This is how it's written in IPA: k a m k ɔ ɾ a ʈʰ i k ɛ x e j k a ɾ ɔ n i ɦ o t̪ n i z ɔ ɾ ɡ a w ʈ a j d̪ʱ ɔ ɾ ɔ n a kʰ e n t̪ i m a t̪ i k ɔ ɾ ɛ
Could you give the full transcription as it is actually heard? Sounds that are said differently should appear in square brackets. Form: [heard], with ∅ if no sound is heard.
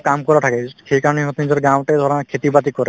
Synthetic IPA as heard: k a m k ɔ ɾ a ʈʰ [a] k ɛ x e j k a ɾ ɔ n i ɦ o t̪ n i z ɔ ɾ ɡ a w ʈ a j d̪ʱ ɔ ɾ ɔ n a kʰ e [∅] t̪ i [b] a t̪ i k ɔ ɾ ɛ